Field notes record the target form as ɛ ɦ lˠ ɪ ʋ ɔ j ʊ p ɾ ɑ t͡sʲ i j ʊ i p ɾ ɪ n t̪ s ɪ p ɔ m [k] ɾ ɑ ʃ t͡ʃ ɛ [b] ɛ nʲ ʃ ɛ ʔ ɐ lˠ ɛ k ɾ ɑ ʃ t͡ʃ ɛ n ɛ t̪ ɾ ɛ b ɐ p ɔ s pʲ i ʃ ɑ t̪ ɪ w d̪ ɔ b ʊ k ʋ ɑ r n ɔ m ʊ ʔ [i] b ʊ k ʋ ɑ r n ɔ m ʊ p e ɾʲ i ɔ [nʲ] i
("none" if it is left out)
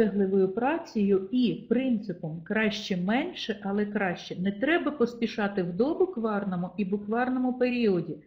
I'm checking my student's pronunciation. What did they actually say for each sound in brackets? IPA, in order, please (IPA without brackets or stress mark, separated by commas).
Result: k, m, i, dʲ